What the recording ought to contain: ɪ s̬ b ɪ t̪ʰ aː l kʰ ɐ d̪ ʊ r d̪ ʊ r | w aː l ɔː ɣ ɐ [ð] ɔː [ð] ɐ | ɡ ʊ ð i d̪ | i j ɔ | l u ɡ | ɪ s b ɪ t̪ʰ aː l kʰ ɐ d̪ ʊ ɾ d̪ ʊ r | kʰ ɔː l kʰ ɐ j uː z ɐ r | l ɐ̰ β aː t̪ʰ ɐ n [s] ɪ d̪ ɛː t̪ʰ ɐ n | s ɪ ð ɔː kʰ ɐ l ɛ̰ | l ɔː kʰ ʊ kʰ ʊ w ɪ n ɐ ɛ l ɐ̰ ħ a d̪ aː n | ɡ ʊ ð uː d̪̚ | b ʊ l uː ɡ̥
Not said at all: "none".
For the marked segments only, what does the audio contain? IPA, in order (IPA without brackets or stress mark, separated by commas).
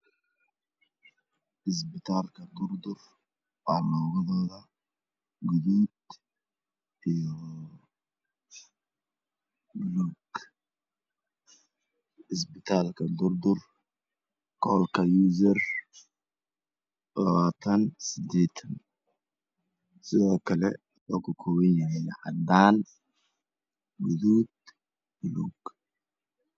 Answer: ð, ð, s